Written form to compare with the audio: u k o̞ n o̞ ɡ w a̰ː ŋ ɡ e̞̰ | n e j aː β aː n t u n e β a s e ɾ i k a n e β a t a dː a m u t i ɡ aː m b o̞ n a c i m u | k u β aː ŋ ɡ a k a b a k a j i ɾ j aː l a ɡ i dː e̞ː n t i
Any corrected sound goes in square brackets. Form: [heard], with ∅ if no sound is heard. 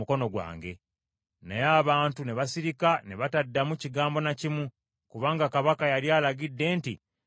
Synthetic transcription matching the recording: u k o̞ n o̞ ɡ w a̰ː ŋ ɡ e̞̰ | n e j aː β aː n t u n e β a s [i] ɾ i k a n e β a t a dː a m u [c] i ɡ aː m b o̞ n a c i m u | k u β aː ŋ ɡ a k a [β] a k a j [a] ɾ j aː l a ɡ i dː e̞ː n t i